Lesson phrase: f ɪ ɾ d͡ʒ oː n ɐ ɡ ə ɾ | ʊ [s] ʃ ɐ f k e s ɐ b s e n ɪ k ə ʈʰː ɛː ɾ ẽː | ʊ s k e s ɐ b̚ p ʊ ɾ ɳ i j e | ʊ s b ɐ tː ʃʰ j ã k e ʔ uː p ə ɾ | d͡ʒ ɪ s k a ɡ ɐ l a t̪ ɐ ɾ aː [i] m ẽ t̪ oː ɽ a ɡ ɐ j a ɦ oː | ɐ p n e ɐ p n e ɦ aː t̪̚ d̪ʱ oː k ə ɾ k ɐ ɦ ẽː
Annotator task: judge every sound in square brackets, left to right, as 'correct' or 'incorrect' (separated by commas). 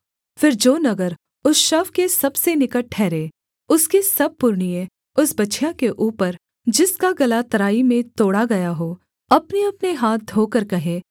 correct, correct